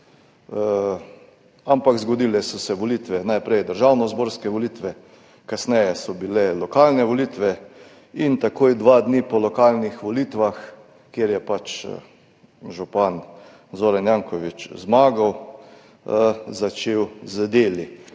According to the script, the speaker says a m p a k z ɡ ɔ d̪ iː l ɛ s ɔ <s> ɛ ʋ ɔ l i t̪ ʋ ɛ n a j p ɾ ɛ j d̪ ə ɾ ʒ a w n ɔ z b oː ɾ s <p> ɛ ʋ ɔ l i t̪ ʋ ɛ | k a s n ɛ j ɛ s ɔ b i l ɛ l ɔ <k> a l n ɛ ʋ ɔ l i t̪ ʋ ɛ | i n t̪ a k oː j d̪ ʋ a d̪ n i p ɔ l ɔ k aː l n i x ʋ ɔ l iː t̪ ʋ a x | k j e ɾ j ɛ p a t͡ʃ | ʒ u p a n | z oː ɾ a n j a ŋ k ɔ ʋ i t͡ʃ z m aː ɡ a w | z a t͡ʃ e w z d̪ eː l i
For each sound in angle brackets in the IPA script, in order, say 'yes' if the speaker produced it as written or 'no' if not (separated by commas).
yes, no, yes